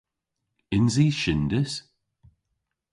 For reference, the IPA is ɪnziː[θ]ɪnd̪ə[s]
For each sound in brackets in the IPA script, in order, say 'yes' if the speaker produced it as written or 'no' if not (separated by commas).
no, yes